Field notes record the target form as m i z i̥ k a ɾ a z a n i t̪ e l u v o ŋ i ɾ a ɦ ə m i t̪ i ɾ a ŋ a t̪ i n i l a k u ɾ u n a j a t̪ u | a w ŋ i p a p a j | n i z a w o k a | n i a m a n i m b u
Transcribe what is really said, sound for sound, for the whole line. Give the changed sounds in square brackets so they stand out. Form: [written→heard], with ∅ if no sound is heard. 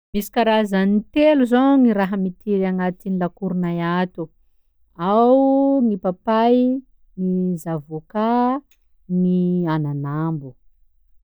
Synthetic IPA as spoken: m i [z→s] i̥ k a ɾ a z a n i t̪ e l u [v→z] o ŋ i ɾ a ɦ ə m i t̪ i ɾ a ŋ a t̪ i n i l a k u ɾ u n a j a t̪ u | a w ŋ i p a p a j | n i z a [w→v] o k a | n i a [m→n] a n [i→a] m b u